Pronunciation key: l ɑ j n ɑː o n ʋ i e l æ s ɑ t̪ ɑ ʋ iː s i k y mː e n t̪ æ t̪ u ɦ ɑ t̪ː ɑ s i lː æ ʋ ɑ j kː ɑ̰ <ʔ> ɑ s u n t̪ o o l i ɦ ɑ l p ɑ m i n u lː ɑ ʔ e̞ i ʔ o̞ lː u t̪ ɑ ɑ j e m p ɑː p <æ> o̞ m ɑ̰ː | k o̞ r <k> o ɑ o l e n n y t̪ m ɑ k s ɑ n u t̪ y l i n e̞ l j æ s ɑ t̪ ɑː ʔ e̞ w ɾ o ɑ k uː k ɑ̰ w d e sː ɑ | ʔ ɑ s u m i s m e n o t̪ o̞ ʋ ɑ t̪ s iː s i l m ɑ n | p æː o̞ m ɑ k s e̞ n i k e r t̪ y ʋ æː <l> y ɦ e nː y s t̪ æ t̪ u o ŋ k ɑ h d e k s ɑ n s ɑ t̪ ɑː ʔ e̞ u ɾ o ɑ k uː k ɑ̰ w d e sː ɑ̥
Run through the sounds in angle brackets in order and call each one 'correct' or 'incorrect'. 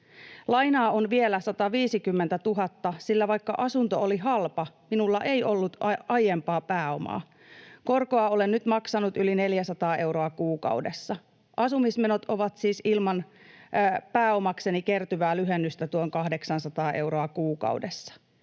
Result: correct, incorrect: æː, correct, correct

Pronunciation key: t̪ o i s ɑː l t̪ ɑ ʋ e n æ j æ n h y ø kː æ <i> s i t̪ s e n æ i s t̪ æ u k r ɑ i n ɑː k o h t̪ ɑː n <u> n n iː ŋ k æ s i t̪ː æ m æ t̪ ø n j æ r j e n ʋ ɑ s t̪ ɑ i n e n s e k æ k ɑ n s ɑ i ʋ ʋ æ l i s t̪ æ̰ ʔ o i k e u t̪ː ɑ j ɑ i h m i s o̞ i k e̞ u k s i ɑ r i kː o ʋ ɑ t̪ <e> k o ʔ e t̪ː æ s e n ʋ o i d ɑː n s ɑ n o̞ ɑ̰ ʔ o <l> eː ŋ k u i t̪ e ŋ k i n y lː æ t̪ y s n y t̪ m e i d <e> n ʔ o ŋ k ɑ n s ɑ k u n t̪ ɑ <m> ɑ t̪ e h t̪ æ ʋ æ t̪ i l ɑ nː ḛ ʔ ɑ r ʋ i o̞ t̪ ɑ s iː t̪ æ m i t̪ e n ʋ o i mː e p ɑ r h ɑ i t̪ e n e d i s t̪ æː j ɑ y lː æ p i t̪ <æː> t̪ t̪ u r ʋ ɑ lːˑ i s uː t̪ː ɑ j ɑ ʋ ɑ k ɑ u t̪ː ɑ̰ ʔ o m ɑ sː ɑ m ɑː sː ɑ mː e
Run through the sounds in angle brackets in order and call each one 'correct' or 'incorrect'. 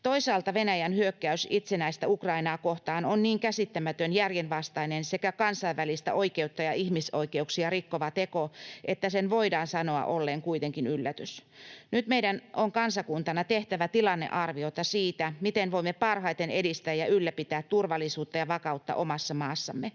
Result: incorrect: y, incorrect: o, correct, incorrect: lː, incorrect: æ, incorrect: n, correct

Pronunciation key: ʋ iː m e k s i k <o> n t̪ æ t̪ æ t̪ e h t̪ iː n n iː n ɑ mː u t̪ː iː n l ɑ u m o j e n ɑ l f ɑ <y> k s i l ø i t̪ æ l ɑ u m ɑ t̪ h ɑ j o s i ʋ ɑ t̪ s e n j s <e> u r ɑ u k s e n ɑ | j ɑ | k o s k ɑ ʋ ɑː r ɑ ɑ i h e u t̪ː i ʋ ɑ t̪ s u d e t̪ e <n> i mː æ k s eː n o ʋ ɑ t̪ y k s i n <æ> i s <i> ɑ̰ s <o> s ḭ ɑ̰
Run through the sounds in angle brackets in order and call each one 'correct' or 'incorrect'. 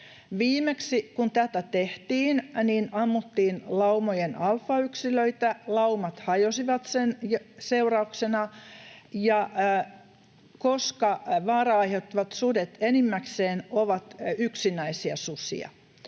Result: incorrect: u, correct, correct, correct, correct, correct, incorrect: u

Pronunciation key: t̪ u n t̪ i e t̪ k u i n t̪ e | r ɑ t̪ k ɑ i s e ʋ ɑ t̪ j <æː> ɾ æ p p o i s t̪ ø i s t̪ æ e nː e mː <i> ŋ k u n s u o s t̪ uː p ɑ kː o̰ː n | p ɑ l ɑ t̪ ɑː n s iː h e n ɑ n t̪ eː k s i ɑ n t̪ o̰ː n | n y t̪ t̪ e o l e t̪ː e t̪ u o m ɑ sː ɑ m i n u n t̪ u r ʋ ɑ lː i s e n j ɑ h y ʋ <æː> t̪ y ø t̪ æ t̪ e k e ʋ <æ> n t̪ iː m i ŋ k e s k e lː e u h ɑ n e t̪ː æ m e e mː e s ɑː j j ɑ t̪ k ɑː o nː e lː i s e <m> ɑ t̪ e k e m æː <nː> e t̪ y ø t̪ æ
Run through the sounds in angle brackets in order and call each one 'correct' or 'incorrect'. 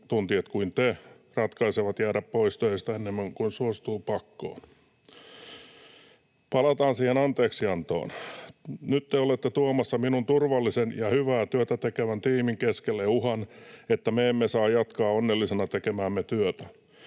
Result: correct, incorrect: æ, correct, correct, incorrect: n, incorrect: mː

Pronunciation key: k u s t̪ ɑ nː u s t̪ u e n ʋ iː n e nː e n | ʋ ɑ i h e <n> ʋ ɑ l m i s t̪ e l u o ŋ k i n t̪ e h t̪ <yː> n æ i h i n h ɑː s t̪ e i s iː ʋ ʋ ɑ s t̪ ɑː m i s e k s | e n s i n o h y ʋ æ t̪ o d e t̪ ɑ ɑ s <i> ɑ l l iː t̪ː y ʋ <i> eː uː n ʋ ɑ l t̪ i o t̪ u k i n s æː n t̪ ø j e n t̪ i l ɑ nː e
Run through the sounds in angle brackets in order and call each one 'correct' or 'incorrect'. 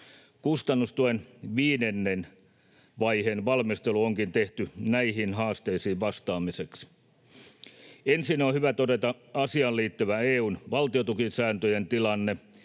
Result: correct, incorrect: y, correct, incorrect: æ

